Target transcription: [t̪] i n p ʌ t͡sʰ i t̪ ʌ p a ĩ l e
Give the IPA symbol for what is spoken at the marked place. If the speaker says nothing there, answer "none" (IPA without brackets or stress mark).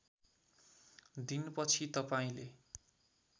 d̪